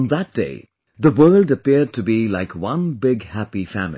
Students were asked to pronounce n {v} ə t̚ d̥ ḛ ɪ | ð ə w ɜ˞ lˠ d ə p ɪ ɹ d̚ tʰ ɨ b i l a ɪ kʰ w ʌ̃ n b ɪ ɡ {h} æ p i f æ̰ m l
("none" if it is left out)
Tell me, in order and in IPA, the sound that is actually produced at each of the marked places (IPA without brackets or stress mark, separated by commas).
ð, h